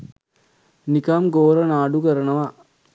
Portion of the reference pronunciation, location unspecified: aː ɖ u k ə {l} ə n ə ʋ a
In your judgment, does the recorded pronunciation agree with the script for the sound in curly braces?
no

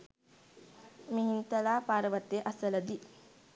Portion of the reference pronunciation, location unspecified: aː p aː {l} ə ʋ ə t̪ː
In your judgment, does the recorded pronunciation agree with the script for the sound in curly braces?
no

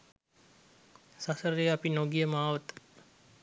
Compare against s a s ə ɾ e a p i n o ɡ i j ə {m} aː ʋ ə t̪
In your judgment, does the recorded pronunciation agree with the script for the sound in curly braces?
yes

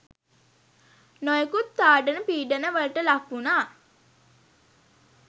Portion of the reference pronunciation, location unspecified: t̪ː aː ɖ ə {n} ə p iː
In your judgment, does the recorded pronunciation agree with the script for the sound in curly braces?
yes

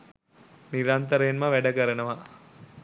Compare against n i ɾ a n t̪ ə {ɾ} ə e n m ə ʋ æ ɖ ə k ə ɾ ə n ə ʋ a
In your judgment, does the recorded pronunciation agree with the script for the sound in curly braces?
yes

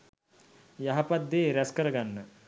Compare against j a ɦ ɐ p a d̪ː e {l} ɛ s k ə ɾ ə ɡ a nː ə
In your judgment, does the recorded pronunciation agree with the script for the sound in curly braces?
no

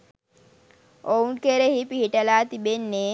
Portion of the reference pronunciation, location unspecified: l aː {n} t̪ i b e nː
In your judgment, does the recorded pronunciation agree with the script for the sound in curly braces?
no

